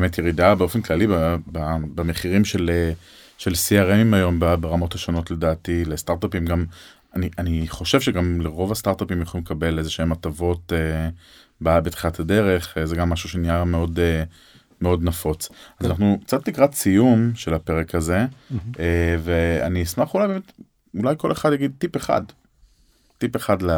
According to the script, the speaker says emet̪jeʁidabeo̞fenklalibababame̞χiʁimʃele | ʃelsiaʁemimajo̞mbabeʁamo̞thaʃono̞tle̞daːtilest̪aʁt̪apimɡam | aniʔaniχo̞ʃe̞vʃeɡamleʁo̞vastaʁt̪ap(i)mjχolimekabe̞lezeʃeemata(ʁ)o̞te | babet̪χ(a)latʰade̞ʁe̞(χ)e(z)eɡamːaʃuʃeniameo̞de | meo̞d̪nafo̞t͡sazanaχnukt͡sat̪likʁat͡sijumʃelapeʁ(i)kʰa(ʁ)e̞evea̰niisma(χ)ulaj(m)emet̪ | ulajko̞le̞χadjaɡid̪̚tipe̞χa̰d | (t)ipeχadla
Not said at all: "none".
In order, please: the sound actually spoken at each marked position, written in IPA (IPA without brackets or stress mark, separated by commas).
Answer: i, v, i, χ, z, e, z, χ, b, t